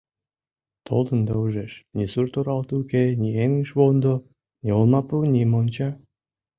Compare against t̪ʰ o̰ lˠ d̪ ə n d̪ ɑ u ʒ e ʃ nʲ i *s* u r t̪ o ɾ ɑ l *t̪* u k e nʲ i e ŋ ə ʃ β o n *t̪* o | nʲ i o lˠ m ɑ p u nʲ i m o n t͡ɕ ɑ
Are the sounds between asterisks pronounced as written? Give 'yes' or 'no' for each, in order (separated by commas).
yes, yes, no